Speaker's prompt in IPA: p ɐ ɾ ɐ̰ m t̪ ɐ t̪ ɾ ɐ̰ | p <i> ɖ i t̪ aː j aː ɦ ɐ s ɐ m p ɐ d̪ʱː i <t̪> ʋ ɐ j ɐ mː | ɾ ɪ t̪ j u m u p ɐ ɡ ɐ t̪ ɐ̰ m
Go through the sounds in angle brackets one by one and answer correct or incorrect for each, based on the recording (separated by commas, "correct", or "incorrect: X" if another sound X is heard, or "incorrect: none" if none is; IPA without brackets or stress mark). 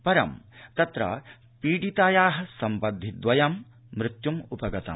incorrect: iː, incorrect: d̪